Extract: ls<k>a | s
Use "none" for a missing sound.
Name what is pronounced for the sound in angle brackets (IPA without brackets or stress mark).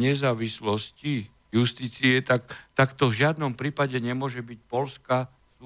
k